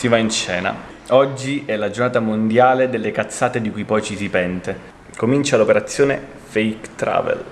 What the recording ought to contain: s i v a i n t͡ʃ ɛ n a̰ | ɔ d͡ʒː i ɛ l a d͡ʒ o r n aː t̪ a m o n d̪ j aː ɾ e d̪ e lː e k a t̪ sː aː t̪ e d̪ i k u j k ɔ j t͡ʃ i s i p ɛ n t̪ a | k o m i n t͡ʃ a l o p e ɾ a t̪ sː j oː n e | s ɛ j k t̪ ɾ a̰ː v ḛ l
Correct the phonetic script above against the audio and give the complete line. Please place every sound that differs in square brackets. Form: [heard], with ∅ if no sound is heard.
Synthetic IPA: s i v a i n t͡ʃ [ɛː] n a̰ | ɔ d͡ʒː i ɛ l a d͡ʒ o r n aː t̪ a m o n d̪ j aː [l] e d̪ e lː e k a t̪ sː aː t̪ e d̪ i k u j [p] ɔ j t͡ʃ i s i p ɛ n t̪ [e] | k o m i n t͡ʃ a l o p e ɾ a t̪ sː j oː n e | [f] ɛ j k t̪ ɾ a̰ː v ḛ l